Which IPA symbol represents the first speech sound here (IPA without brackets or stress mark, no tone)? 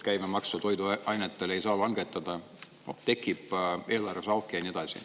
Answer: k